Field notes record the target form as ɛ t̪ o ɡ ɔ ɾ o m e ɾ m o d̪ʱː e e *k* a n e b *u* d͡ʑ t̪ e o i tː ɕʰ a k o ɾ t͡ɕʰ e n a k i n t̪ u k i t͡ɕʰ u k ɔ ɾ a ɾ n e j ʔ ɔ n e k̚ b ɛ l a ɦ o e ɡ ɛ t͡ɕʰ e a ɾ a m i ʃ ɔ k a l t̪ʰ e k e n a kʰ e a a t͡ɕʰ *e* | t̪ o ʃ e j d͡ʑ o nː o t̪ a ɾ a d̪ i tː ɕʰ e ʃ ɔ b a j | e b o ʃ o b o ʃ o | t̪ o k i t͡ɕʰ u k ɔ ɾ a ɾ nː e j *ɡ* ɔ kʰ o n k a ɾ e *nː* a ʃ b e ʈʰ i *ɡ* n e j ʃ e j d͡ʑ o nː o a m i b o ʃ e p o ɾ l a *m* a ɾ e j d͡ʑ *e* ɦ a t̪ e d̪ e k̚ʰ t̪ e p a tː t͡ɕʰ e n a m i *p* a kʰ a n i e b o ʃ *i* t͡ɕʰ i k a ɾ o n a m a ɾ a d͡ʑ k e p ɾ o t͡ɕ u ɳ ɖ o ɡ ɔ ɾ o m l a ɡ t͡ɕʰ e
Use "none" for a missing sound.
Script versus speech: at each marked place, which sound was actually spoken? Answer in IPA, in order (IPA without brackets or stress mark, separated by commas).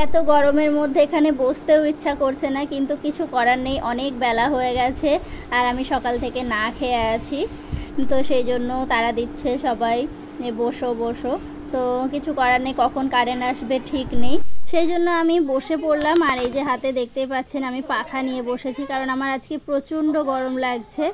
kʰ, o, i, k, n, k, m, e, p, e